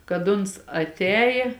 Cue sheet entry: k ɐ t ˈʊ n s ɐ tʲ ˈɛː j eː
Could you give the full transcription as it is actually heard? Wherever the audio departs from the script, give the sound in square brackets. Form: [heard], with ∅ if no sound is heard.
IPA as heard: k ɐ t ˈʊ n s ɐ tʲ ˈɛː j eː